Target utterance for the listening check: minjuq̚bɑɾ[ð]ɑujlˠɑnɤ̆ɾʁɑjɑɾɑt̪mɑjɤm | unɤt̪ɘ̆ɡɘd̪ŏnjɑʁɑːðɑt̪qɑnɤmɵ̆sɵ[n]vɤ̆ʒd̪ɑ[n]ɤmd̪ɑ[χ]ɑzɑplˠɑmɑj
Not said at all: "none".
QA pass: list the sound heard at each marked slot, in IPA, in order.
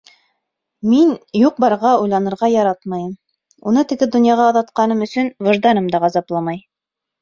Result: ʁ, n, n, ʁ

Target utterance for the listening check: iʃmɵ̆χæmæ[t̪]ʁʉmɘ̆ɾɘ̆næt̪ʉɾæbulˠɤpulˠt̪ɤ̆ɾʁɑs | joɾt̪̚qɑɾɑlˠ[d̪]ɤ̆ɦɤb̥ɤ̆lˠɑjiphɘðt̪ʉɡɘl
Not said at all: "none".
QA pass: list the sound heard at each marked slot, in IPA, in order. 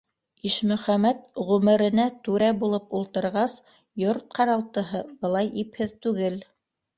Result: t̪, t̪

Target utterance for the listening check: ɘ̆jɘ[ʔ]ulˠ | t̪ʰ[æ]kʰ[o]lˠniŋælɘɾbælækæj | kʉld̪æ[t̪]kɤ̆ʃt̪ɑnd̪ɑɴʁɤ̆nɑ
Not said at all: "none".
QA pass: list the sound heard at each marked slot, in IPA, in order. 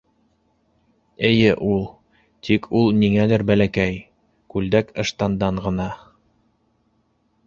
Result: ʔ, i, u, none

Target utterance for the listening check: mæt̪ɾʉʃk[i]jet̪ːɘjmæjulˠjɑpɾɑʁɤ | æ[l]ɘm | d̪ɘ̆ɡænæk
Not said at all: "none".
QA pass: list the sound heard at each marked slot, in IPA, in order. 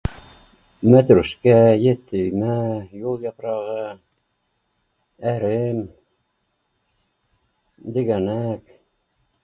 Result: æ, ɾ

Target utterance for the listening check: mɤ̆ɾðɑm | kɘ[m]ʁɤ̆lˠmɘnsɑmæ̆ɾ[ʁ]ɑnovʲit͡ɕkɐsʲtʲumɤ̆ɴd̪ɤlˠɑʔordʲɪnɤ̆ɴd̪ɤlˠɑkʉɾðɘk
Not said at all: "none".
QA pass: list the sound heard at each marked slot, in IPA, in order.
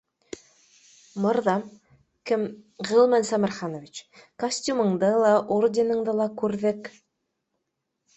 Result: m, χ

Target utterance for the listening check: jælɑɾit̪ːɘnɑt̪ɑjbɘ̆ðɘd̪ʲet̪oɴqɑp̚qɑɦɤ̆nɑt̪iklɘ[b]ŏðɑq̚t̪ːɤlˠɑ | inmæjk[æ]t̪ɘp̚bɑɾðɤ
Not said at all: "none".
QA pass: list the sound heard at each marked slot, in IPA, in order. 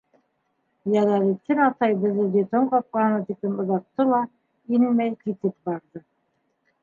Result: m, i

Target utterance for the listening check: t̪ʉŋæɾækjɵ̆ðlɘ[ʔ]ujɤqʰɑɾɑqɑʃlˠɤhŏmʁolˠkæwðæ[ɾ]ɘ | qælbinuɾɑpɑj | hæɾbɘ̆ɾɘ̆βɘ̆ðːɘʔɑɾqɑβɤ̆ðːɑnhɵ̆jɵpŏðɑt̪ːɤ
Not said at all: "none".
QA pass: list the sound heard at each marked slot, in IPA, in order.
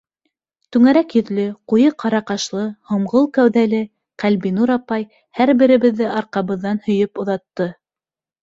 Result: q, l

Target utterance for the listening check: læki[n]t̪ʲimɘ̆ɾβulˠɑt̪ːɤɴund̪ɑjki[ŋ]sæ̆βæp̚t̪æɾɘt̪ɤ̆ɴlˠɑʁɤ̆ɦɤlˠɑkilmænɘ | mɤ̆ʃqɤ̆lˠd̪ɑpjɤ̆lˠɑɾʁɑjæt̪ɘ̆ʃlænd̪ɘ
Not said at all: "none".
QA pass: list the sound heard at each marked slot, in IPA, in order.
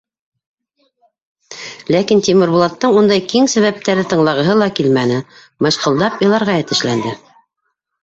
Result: n, ŋ

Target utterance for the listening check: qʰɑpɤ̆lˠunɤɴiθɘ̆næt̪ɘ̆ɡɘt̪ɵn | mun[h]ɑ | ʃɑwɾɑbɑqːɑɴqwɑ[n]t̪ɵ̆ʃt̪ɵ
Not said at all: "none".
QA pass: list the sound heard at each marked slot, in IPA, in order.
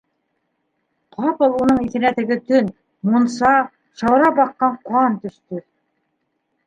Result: s, n

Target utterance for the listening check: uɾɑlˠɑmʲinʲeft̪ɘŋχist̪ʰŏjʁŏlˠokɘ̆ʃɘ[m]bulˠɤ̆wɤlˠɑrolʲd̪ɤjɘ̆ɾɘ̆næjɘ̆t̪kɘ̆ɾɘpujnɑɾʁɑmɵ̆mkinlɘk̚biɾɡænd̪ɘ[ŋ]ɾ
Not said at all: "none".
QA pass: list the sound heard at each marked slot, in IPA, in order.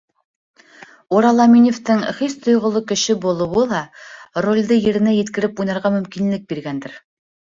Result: none, none

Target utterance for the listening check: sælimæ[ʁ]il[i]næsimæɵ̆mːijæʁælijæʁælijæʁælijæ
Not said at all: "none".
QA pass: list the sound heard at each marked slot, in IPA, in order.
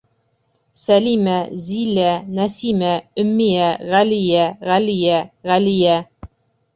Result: z, æ

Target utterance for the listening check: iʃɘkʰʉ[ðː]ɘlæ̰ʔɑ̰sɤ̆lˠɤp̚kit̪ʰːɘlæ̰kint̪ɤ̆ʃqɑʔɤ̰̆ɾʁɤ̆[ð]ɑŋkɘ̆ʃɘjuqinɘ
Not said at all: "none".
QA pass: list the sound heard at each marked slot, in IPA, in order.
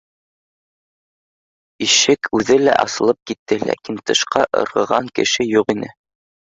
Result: ð, ʁ

